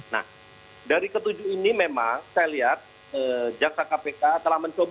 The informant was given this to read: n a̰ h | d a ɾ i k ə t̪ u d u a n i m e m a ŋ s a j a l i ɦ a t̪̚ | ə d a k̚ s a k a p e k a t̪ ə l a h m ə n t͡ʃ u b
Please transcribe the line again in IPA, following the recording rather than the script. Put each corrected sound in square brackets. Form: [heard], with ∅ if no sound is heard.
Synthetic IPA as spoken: n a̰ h | d a ɾ i k ə t̪ u [d͡ʒ] u [i] n i m e m a ŋ s a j a l i ɦ a t̪̚ | ə [d͡ʒ] a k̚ s a k a p e k a t̪ ə l a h m ə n t͡ʃ [o] b